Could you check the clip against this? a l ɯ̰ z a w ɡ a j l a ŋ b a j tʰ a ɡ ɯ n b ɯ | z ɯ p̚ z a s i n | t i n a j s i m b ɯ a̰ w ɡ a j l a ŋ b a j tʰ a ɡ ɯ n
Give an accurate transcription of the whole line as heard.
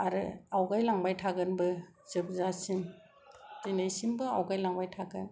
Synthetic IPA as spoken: a ɾ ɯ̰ a w ɡ a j l a ŋ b a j tʰ a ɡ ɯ n b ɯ | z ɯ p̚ z a s i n | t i n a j s i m b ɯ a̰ w ɡ a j l a ŋ b a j tʰ a ɡ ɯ n